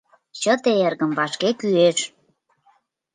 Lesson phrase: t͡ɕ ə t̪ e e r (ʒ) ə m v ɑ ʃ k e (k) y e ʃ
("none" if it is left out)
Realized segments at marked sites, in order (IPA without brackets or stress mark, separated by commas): ɣ, k